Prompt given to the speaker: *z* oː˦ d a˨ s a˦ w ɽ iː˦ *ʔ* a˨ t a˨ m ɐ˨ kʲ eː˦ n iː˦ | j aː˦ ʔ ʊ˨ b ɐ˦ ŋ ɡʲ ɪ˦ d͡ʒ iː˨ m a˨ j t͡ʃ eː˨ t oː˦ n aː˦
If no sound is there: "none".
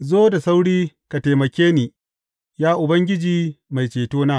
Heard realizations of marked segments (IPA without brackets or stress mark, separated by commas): z, k